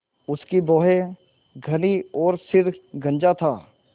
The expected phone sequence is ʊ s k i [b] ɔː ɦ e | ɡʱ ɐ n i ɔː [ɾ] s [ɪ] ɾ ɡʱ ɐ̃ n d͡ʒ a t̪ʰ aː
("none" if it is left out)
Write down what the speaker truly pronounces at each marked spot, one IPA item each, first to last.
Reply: b, ɾ, ɪ

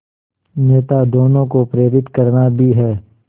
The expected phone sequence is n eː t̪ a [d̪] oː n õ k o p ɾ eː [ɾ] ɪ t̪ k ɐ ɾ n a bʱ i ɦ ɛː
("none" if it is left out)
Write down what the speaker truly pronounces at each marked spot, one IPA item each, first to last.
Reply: d̪, ɾ

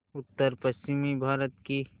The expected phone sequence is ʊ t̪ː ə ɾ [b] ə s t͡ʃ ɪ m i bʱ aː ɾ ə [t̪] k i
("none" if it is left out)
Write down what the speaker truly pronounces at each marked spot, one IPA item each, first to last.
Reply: p, t̪

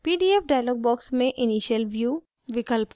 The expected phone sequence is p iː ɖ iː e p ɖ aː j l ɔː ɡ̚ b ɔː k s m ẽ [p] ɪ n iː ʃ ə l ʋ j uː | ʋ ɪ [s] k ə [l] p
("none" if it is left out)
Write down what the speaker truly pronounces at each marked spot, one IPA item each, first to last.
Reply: ʔ, none, l

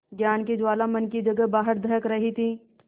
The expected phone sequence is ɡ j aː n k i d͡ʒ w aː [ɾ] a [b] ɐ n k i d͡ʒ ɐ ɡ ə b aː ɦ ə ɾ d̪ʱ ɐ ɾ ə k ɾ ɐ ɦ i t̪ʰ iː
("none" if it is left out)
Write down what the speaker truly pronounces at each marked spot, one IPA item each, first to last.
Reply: l, m

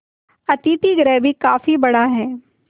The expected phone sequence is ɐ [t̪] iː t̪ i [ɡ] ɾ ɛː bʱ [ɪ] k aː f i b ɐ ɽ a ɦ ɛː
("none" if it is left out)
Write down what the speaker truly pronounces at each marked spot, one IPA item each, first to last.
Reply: t̪, ɡ, i

